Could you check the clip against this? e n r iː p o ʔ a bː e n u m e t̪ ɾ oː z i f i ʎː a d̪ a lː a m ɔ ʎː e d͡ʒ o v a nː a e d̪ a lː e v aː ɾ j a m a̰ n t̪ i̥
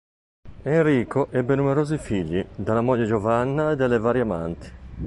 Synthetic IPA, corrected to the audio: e n r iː k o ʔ ɛ bː e n u m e ɾ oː z i f i ʎː i d̪ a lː a m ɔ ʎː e d͡ʒ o v a nː a e d̪ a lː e v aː ɾ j a m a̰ n t̪ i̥